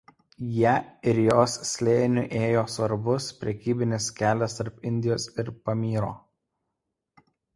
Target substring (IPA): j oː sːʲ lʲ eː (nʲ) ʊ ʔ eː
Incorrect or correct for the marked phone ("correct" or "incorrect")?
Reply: correct